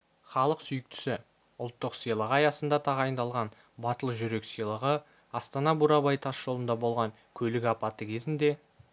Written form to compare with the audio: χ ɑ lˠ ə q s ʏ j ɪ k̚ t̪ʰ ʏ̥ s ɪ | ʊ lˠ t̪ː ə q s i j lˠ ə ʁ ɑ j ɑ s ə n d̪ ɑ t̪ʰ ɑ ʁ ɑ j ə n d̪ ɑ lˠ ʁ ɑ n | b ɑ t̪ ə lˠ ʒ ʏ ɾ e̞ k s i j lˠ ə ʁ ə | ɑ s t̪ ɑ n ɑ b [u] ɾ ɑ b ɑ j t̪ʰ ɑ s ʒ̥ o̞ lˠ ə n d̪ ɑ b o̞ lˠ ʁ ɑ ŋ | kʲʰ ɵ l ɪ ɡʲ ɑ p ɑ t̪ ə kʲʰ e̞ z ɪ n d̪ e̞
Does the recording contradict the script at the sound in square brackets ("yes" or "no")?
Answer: no